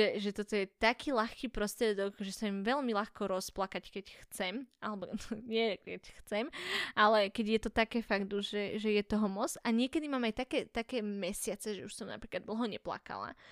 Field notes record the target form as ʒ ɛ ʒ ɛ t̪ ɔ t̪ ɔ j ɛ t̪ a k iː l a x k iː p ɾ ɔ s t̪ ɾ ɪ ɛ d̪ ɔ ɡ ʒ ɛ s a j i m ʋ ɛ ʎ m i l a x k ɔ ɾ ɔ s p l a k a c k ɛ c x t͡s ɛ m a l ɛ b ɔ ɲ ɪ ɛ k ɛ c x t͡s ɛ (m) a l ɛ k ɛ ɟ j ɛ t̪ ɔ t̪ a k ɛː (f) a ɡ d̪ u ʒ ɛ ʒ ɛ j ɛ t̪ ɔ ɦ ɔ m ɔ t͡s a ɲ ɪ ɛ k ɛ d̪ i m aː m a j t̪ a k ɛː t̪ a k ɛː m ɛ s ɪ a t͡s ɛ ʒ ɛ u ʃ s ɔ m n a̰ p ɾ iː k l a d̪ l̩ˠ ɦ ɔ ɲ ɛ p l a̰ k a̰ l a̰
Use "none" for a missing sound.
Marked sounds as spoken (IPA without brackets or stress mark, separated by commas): m, f